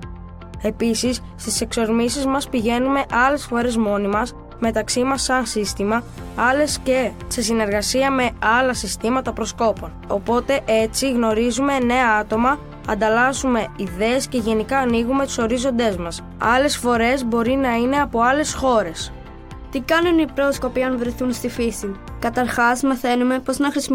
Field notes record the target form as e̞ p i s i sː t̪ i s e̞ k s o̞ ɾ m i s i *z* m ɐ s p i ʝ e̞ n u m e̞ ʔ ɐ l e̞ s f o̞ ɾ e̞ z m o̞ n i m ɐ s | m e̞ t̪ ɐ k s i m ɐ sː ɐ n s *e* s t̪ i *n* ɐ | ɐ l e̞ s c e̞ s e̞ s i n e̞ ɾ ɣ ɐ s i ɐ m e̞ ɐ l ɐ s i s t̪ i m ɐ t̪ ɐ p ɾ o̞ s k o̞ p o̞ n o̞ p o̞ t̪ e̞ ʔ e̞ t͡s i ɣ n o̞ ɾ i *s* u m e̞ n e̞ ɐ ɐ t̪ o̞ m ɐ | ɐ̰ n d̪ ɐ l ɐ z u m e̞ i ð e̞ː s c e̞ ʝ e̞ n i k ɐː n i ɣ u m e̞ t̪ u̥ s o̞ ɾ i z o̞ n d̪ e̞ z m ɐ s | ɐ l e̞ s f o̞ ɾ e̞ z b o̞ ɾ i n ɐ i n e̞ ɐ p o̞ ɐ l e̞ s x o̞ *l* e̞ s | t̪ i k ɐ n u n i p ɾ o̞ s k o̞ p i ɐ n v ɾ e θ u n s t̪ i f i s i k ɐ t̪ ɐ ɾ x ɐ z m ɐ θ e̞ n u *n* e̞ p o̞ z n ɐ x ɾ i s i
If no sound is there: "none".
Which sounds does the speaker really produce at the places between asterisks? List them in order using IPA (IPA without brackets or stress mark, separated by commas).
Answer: z, i, m, z, ɾ, m